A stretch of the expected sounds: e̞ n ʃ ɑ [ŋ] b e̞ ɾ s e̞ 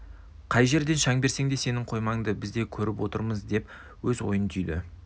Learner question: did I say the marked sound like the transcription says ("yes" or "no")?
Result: yes